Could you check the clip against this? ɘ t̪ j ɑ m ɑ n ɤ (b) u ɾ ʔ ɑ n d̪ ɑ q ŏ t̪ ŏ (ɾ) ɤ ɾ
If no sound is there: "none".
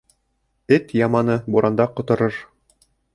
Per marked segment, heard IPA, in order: b, ɾ

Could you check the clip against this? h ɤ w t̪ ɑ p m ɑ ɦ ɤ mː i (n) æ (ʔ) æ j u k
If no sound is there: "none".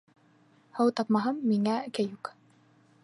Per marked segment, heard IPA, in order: ŋ, k

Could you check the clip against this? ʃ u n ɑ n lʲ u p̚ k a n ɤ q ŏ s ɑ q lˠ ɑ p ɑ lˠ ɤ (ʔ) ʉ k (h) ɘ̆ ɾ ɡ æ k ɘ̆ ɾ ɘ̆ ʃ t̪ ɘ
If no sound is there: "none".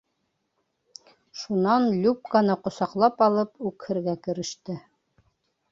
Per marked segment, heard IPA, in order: p, h

